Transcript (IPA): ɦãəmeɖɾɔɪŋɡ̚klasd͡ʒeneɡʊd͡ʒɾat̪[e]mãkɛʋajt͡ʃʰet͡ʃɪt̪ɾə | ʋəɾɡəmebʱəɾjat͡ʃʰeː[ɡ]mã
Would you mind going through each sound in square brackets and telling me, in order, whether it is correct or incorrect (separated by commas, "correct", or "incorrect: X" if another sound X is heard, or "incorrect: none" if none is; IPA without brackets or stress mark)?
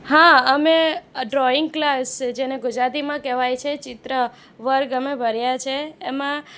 incorrect: i, incorrect: none